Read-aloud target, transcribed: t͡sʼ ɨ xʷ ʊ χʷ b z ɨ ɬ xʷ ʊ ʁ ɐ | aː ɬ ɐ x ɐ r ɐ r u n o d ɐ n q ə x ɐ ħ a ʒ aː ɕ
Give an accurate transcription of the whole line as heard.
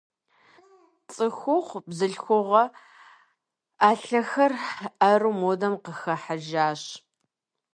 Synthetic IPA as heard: t͡sʼ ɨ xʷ ʊ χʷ b z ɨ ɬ xʷ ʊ ʁ ɐ | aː ɬ ɐ x ɐ r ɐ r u m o d ɐ m q ə x ɐ ħ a ʒ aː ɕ